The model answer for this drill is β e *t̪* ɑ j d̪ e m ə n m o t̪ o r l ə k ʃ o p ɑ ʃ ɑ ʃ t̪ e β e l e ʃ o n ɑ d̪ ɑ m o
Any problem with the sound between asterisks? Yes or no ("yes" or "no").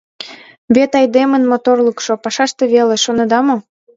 no